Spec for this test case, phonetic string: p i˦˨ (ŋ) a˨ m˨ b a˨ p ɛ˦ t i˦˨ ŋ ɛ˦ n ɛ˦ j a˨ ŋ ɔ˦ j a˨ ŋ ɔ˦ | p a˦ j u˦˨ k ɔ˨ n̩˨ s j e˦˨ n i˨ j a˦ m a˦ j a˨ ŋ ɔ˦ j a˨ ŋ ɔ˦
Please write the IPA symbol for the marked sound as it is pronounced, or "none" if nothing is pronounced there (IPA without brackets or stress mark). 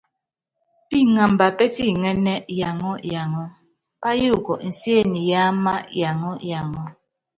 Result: ŋ